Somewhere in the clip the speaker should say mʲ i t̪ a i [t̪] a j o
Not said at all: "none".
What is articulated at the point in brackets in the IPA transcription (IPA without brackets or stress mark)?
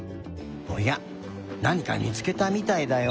d̪